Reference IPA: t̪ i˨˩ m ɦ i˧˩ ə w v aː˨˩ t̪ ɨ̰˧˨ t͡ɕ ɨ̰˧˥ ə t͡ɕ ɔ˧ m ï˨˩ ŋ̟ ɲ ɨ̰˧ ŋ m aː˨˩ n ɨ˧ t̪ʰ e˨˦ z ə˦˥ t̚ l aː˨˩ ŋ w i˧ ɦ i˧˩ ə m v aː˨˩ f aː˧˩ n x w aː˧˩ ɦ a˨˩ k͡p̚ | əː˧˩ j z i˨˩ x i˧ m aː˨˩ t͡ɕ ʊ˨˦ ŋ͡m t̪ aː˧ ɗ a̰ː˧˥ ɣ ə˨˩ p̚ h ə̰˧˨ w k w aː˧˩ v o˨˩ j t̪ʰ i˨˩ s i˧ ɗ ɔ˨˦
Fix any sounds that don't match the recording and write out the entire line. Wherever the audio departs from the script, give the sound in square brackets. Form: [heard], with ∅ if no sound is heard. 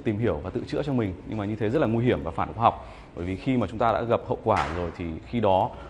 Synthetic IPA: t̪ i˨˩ m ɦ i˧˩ ə w v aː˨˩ t̪ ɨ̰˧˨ t͡ɕ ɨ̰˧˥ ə t͡ɕ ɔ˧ m ï˨˩ ŋ̟ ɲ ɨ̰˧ ŋ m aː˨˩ [ɲ] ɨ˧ t̪ʰ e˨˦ z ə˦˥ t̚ l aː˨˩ ŋ w i˧ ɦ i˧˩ ə m v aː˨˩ f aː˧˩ n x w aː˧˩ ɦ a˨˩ k͡p̚ | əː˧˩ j [v] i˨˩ x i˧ m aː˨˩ t͡ɕ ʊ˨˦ ŋ͡m t̪ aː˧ ɗ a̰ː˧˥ ɣ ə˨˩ p̚ h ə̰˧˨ w k w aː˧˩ [z] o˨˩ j t̪ʰ i˨˩ [x] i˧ ɗ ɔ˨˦